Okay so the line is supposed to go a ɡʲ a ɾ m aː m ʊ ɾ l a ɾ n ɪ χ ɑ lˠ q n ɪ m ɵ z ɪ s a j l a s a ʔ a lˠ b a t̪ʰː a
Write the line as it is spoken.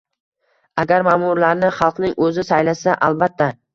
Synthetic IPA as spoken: a ɡʲ a ɾ m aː m ʊ ɾ l a ɾ n ɪ χ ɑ lˠ q n ɪ ŋ ɵ z ɪ s a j l a s a ʔ a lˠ b a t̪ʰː a